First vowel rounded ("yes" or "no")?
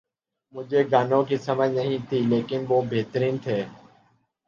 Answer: yes